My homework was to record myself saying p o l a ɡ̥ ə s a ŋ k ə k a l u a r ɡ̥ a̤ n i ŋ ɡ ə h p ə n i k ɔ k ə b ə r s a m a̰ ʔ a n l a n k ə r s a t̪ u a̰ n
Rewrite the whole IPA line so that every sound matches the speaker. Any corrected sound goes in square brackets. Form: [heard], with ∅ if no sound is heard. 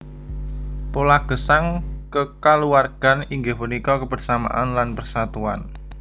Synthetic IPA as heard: p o l a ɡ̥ ə s a ŋ k ə k a l u a r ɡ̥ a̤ n i ŋ ɡ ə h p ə n i k ɔ k ə b ə r s a m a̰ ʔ a n l a n [p] ə r s a t̪ u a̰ n